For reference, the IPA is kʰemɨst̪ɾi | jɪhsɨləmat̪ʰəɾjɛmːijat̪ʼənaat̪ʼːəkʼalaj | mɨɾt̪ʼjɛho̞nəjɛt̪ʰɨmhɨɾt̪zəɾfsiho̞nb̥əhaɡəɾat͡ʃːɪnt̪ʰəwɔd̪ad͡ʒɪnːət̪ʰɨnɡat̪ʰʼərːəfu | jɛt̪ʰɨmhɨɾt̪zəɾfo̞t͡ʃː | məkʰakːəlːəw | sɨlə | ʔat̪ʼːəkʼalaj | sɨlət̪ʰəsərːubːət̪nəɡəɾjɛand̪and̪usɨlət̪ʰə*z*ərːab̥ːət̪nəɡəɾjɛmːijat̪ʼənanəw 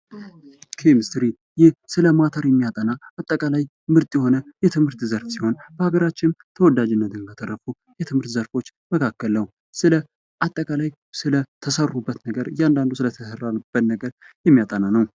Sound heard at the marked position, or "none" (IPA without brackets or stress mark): s